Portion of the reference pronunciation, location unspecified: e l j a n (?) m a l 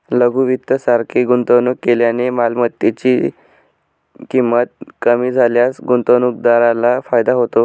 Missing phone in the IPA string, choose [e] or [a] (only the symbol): e